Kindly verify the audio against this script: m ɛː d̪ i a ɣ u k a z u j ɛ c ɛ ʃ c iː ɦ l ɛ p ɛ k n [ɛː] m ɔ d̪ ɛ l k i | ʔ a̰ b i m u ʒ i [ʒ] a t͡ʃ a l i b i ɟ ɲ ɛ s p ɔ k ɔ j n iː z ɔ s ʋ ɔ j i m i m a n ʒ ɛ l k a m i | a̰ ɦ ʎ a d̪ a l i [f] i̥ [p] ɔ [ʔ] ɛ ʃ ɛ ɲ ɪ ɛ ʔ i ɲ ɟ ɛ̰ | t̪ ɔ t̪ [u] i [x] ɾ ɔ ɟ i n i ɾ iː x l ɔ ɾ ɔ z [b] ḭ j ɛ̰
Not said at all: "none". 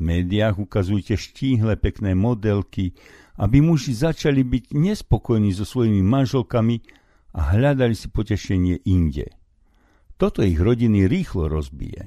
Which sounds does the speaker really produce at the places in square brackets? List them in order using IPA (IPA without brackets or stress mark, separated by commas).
ɛː, z, s, p, c, ɔ, ɣ, b